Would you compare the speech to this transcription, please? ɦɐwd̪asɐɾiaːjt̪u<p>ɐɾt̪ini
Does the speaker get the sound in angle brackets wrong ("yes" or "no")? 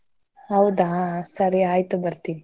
yes